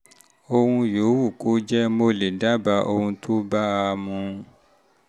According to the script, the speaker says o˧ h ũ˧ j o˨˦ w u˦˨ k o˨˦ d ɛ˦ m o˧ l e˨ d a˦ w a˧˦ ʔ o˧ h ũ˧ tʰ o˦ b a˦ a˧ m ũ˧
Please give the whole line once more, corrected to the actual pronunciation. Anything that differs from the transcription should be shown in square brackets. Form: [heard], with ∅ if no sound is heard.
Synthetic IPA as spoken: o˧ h ũ˧ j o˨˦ w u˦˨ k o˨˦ [d͡ʒ] ɛ˦ m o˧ l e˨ d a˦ [b] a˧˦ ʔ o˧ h ũ˧ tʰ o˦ b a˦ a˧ m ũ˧

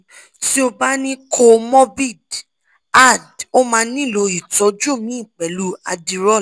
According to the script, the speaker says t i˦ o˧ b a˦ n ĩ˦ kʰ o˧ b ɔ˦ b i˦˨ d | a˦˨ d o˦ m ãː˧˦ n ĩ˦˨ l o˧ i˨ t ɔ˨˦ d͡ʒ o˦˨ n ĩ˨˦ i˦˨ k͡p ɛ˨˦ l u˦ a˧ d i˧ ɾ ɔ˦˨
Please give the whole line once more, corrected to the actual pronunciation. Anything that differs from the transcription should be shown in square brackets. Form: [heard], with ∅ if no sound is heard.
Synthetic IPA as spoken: t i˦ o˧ b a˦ n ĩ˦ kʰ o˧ [m] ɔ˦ b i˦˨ d | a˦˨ d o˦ m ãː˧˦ n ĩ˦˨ l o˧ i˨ t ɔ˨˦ d͡ʒ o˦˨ [m] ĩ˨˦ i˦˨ k͡p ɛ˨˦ l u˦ a˧ d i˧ ɾ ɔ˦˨

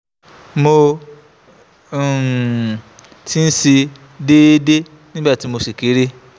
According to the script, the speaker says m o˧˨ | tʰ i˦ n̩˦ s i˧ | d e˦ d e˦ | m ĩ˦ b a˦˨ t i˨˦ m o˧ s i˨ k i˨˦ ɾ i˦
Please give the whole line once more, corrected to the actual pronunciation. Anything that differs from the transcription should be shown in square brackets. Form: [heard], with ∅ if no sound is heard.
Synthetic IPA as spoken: m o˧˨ | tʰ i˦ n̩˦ s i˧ | d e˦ d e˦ | [n] ĩ˦ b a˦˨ t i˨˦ m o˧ s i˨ k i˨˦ ɾ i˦

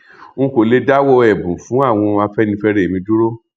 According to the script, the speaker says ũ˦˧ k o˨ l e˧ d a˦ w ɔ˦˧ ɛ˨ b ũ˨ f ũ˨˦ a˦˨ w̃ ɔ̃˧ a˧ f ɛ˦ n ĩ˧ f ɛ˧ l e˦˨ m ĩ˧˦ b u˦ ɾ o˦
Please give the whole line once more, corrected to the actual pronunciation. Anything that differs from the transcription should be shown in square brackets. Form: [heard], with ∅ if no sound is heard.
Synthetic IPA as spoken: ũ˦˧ k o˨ l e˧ d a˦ w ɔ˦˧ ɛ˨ b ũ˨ f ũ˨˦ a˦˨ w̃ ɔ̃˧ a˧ f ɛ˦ n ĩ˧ f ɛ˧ [ɾ] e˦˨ m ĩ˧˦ [d] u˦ ɾ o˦

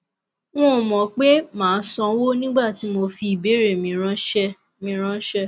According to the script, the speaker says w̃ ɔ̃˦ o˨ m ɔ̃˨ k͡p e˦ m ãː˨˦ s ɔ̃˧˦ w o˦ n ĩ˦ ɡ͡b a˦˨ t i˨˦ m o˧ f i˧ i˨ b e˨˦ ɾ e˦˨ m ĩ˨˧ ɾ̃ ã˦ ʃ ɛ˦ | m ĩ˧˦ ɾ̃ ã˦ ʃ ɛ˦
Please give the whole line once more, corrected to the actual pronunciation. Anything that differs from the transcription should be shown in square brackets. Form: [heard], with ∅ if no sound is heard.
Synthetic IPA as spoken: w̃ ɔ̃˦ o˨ m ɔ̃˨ k͡p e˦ m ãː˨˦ s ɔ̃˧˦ w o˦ n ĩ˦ ɡ͡b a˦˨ t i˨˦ m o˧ f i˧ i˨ b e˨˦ ɾ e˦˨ m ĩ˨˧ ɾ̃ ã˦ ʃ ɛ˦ | m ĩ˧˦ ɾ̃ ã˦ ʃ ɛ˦

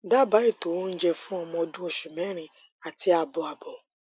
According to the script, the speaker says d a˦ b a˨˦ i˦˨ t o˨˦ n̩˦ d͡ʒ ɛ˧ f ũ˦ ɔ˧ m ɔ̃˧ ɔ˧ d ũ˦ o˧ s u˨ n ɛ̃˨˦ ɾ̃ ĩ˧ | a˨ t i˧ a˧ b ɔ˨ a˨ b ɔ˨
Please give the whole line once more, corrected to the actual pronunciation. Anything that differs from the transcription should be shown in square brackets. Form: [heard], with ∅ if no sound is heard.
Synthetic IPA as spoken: d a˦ b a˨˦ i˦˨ t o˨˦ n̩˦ d͡ʒ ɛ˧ f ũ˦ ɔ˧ m ɔ̃˧ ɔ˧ d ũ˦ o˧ [ʃ] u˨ [m] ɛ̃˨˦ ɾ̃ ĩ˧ | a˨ t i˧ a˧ b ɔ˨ a˨ b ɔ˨

